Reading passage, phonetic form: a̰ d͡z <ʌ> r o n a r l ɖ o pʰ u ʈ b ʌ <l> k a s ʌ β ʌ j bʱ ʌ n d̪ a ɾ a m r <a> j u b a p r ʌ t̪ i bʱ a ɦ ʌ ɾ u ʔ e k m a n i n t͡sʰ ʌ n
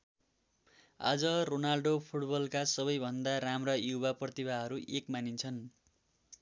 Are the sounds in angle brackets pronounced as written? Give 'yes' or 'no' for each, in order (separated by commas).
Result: yes, yes, no